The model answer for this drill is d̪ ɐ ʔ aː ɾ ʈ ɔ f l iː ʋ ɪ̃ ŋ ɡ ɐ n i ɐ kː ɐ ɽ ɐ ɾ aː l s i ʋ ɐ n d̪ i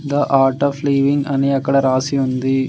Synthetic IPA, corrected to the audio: d̪ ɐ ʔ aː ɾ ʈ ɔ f l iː ʋ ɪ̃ ŋ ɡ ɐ n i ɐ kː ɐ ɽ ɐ ɾ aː s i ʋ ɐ n d̪ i

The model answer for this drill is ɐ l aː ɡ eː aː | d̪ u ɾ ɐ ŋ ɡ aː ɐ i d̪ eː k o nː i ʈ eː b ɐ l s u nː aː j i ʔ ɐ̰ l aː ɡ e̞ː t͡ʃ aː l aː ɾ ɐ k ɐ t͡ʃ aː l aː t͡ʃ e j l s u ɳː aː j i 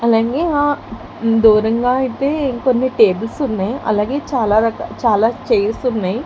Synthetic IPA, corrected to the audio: ɐ l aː ɡ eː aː | d̪ uː ɾ ɐ ŋ ɡ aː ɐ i t̪ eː k o nː i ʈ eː b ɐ l s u nː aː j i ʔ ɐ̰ l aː ɡ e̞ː t͡ʃ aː l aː ɾ ɐ k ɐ t͡ʃ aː l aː t͡ʃ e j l s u nː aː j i

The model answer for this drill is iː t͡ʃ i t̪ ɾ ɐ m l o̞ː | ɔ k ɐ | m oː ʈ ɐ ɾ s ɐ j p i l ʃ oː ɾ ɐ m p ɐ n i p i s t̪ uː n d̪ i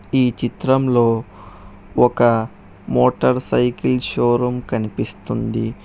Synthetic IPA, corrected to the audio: iː t͡ʃ i t̪ ɾ ɐ m l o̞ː | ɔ k ɐ | m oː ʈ ɐ ɾ s ɐ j k i l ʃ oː ɾ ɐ m k ɐ n i p i s t̪ u n d̪ i

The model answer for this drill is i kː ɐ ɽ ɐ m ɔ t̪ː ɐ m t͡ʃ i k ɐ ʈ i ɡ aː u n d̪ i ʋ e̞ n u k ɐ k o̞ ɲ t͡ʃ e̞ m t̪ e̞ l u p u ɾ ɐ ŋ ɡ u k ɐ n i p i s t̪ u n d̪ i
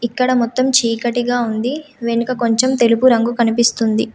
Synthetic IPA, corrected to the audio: i kː ɐ ɽ ɐ m ɔ t̪ː ɐ m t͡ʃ iː k ɐ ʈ i ɡ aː u n d̪ i ʋ e̞ n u k ɐ k o̞ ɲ t͡ʃ e̞ m t̪ e̞ l u p u ɾ ɐ ŋ ɡ u k ɐ n i p i s t̪ u n d̪ i

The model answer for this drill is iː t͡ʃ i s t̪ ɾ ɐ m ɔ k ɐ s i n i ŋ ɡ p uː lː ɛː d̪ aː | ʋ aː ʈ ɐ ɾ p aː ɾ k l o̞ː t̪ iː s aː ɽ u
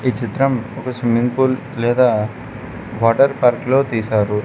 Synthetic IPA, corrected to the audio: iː t͡ʃ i t̪ ɾ ɐ m ɔ k ɐ s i m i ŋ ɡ p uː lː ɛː d̪ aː | ʋ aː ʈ ɐ ɾ p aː ɾ k l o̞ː t̪ iː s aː ɾ u

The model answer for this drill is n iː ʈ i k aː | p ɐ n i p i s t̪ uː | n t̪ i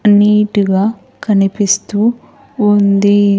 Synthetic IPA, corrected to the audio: n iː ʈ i ɡ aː | k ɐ n i p i s t̪ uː | n d̪ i

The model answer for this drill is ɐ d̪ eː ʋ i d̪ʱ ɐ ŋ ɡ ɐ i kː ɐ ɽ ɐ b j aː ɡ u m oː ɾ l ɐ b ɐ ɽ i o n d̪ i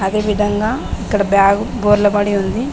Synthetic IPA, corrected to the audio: ɐ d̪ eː ʋ i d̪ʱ ɐ ŋ ɡ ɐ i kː ɐ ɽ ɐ b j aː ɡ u b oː ɾ l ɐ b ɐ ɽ i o n d̪ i

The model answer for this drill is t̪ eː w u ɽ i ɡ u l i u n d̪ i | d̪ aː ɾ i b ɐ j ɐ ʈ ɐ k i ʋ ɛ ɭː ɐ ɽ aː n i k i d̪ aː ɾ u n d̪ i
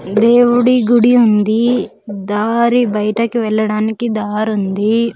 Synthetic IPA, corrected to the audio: d̪ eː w u ɽ i ɡ u ɽ i u n d̪ i | d̪ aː ɾ i b ɐ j ɐ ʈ ɐ k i ʋ ɛ ɭː ɐ ɽ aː n i k i d̪ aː ɾ u n d̪ i

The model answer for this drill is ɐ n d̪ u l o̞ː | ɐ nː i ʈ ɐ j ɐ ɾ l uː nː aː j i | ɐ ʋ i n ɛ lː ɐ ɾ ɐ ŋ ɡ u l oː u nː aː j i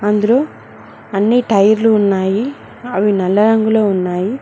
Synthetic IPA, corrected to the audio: ɐ n d̪ u l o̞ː | ɐ nː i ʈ ɐ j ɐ ɾ l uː nː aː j i | ɐ ʋ i n ɛ lː ɐ ɾ ɐ ŋ ɡ u l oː u nː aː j i

